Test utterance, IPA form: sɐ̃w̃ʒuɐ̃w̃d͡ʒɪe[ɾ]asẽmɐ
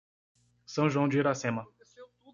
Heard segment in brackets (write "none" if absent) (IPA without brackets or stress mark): ɾ